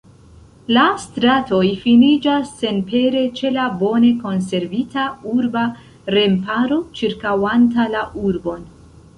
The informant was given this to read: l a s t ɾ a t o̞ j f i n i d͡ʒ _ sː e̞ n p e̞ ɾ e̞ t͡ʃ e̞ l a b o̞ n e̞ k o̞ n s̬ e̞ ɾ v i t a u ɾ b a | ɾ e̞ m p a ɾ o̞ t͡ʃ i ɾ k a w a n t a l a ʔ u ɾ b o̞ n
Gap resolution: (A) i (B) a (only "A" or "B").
B